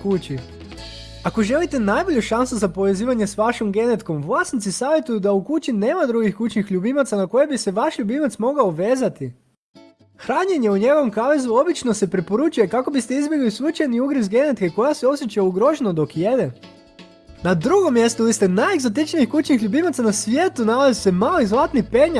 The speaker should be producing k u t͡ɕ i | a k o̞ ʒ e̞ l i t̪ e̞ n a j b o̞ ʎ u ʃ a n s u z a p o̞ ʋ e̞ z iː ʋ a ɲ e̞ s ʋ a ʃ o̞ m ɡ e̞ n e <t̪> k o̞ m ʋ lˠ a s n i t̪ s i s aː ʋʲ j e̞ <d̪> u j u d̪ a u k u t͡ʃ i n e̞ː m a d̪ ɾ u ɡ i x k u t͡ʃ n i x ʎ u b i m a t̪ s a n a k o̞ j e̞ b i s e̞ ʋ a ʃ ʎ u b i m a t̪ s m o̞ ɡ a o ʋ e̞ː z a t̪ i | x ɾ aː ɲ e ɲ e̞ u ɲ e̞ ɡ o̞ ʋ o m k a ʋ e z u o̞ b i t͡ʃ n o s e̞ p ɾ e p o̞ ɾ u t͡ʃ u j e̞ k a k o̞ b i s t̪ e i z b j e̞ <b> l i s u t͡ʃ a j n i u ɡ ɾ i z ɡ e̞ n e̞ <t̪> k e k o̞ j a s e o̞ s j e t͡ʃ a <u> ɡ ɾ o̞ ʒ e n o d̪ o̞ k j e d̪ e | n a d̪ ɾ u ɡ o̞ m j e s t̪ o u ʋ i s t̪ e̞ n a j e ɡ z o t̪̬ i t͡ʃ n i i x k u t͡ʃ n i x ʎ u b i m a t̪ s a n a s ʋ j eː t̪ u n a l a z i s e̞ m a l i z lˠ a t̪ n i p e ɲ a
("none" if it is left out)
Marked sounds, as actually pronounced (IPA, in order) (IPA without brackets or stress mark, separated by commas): t̪, t̪, ɡ, t̪, u